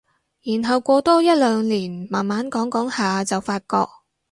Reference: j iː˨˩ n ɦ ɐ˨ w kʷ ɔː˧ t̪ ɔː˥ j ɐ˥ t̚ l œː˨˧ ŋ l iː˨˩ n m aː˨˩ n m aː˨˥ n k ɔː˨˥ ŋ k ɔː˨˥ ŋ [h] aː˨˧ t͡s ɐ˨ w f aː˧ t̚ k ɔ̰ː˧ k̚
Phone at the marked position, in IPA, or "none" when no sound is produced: h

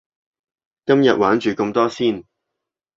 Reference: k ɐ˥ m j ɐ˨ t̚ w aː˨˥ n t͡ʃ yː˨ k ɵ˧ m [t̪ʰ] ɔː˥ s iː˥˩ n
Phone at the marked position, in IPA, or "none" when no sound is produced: t̪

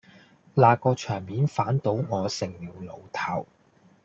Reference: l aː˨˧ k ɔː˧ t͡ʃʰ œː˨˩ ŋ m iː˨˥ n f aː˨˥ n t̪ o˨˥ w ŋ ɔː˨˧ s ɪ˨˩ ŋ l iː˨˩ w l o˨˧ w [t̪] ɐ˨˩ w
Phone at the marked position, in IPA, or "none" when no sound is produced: t̪ʰ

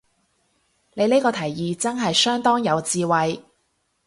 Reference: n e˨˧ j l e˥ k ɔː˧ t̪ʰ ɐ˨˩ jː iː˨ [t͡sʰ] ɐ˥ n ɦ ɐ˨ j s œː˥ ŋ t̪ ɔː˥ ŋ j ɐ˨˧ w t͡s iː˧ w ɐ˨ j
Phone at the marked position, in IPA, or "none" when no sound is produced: t͡s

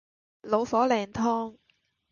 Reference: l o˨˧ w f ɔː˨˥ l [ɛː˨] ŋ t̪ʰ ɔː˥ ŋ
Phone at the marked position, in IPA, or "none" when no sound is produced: ɛː˨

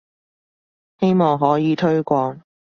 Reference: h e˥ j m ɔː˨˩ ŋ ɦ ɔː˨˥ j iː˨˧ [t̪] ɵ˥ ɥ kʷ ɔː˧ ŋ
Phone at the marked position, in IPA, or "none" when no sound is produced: t̪ʰ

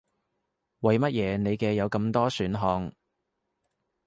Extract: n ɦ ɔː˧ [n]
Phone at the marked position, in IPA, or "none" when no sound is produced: ŋ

